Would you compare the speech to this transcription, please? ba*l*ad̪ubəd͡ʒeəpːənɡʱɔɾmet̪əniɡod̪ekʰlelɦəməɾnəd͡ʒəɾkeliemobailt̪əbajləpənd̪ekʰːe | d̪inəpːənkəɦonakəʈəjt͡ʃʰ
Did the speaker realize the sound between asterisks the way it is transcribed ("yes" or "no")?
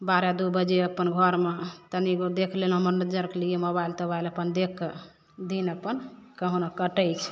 no